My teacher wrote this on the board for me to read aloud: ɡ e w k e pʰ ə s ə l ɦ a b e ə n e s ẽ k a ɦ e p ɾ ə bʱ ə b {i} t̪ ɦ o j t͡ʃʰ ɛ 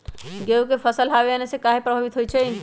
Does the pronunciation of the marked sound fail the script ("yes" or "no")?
no